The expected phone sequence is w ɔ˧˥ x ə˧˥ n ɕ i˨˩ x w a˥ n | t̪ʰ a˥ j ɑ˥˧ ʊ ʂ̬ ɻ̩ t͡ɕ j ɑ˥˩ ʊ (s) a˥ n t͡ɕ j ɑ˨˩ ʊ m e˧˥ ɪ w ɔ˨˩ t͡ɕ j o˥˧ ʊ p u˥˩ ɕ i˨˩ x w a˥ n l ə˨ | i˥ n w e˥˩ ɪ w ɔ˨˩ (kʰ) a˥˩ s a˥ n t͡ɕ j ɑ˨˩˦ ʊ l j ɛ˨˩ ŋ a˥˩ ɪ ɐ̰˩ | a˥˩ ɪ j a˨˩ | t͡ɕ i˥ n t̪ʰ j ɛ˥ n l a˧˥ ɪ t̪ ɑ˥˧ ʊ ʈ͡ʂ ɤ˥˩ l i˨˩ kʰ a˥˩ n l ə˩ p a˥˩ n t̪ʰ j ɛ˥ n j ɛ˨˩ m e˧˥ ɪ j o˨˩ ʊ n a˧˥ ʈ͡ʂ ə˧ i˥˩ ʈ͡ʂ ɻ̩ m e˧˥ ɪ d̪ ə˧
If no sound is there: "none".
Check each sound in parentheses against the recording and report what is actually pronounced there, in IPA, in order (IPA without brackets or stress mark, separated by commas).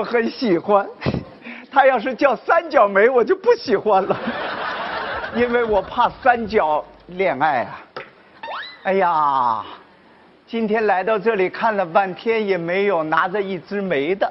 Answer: s, pʰ